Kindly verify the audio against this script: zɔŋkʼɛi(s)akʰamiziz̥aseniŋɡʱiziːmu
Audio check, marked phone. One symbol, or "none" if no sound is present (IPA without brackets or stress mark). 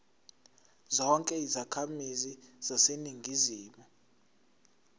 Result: z